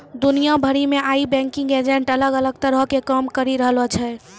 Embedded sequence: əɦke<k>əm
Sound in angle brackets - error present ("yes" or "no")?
no